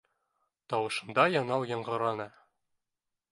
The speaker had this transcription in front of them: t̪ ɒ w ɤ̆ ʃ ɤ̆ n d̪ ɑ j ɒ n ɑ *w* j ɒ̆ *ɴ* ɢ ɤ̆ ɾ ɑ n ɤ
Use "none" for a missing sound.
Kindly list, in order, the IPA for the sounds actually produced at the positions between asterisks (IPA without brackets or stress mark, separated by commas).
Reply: w, ɴ